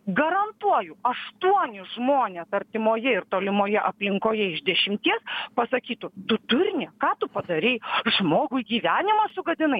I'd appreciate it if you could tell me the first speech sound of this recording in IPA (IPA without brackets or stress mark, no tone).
ɡ